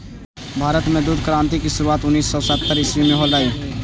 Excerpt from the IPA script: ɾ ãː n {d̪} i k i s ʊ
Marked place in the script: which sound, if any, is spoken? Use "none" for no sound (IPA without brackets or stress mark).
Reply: t̪